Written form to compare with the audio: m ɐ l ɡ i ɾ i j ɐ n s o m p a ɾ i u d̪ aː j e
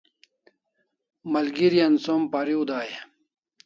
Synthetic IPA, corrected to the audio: m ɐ l ɡ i ɾ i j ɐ n s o m p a ɾ i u d̪ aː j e